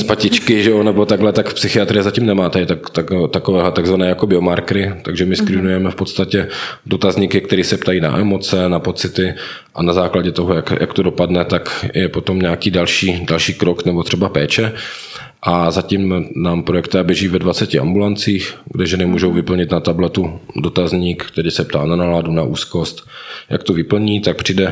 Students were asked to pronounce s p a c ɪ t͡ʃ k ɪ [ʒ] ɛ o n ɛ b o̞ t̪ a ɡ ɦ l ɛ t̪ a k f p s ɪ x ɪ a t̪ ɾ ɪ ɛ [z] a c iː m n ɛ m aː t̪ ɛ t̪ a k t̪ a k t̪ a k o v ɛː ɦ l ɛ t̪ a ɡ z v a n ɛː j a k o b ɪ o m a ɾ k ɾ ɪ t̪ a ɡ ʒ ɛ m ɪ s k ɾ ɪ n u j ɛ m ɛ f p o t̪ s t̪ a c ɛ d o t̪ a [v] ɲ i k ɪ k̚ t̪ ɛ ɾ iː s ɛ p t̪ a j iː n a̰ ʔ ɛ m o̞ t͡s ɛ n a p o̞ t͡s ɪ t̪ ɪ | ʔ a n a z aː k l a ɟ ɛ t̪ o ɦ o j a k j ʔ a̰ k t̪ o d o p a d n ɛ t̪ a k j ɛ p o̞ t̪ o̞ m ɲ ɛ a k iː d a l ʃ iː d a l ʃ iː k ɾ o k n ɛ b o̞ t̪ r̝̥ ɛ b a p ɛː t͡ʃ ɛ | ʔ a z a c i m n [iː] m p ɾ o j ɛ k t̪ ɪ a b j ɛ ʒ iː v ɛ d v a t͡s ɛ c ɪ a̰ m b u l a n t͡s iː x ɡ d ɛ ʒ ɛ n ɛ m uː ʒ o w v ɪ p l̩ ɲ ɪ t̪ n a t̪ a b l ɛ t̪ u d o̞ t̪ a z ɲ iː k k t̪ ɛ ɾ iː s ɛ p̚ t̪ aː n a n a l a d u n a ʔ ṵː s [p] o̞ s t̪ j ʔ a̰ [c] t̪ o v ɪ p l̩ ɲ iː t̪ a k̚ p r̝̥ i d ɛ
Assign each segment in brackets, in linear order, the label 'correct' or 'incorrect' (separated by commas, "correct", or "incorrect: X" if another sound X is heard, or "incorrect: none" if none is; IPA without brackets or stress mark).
correct, correct, incorrect: z, incorrect: aː, incorrect: k, incorrect: k